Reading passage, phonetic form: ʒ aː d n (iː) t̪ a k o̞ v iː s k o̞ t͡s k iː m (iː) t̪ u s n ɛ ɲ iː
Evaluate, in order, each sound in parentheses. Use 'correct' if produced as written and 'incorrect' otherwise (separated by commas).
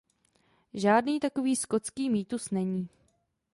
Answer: correct, correct